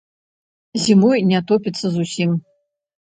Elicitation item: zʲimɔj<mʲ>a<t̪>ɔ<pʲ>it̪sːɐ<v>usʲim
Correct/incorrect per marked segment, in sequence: incorrect: nʲ, correct, correct, incorrect: z

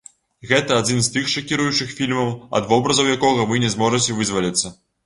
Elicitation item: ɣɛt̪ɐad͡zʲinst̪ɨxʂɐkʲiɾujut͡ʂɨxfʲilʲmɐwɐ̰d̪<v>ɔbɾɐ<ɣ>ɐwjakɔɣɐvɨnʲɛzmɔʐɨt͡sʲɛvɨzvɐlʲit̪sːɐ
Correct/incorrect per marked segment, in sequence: correct, incorrect: z

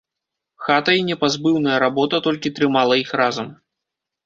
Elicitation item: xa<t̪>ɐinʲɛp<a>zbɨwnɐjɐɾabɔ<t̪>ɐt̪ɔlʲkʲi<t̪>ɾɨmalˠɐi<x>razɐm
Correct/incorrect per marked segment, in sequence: correct, correct, correct, correct, correct

